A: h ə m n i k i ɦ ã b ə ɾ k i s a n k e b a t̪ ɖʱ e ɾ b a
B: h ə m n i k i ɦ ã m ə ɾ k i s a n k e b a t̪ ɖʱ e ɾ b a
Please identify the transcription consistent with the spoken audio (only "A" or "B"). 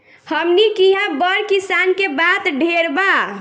A